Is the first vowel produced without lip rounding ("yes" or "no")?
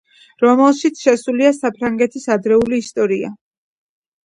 no